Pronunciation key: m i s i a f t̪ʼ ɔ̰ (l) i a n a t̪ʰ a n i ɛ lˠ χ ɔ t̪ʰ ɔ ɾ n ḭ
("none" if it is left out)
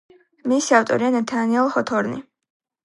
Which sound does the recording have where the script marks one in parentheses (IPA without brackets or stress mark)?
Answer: ɾ